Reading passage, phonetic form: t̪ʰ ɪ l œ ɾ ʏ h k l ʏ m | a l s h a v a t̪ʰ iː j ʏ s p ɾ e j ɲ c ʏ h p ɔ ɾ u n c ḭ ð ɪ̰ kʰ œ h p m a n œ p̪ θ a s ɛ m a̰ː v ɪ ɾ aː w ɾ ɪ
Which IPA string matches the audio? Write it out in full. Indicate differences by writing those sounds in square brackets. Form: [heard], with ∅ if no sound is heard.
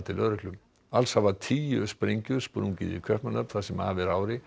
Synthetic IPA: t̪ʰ ɪ l œ ɾ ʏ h k l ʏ m | a l s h a v a t̪ʰ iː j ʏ s p ɾ e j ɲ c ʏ [s] p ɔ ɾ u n c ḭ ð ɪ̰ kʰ œ h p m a n œ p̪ θ a s ɛ m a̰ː v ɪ ɾ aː w ɾ ɪ